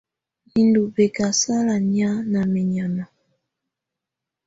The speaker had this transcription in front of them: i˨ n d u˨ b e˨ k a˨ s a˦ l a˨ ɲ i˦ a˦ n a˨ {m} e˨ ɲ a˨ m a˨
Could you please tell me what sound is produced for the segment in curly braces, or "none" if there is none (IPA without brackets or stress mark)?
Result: m